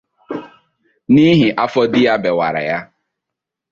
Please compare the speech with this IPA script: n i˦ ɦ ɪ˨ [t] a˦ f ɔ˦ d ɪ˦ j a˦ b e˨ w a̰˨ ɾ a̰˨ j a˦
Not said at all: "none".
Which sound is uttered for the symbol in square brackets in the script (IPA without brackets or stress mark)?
ʔ